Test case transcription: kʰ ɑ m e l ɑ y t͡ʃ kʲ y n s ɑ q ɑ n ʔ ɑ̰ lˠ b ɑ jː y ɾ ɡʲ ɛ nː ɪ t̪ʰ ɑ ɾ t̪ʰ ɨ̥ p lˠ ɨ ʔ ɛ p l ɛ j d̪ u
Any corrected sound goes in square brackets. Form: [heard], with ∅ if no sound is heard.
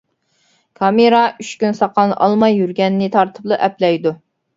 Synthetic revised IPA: kʰ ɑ m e [ɾ] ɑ y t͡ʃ kʲ y n s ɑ q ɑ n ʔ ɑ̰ lˠ [m] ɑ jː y ɾ ɡʲ ɛ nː ɪ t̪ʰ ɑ ɾ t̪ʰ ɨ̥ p lˠ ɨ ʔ ɛ p l ɛ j d̪ u